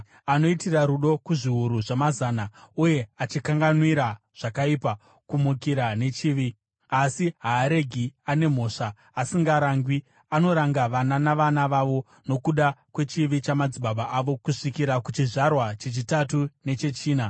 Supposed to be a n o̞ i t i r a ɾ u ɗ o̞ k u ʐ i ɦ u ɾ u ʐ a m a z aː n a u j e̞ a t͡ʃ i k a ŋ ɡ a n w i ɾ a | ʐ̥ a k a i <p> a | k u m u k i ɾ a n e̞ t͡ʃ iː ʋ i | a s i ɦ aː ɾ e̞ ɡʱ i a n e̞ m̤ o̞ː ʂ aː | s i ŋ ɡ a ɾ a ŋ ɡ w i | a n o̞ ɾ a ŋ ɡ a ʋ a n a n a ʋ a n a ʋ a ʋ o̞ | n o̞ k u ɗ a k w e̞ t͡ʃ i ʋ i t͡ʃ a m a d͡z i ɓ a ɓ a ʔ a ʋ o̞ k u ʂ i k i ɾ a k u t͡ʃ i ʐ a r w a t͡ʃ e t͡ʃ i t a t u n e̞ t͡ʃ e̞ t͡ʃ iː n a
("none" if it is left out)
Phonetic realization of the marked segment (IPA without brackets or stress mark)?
p